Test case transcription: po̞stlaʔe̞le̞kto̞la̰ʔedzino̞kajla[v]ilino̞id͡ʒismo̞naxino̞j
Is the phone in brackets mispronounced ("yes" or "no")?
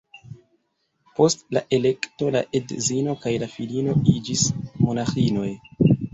yes